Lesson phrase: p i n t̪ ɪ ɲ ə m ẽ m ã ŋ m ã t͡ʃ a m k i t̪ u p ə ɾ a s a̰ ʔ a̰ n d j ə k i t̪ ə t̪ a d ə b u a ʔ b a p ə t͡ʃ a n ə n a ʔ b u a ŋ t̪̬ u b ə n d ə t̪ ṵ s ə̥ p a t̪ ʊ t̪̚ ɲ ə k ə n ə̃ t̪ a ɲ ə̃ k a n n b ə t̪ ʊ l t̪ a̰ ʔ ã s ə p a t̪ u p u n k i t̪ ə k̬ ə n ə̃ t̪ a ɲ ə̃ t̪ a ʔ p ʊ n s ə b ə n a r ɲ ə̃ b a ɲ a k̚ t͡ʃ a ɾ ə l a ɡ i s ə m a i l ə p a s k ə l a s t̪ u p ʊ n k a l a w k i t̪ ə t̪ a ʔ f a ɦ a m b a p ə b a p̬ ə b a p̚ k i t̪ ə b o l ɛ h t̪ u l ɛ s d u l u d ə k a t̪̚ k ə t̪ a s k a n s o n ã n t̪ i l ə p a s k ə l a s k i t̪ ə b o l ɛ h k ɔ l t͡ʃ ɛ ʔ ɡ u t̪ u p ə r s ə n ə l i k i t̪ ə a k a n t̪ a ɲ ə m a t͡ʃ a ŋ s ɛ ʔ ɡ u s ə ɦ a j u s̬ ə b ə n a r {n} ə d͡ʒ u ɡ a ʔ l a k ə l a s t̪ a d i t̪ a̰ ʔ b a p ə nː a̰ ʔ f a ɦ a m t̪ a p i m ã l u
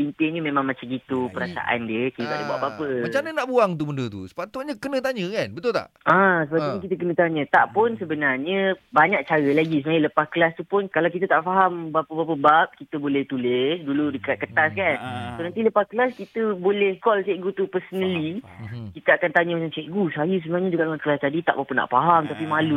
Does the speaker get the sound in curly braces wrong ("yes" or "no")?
yes